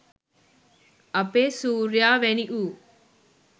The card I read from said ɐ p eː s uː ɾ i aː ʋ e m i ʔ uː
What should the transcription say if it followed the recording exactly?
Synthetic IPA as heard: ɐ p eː s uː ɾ j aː ʋ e n i ʔ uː